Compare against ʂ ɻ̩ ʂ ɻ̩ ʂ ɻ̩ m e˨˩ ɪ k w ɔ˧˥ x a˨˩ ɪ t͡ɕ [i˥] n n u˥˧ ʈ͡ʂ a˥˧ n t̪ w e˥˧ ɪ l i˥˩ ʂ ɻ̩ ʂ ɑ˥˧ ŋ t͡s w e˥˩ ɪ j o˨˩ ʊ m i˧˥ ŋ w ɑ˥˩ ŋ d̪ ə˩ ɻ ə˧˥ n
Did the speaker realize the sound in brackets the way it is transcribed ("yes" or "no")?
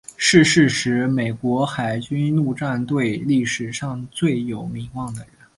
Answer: no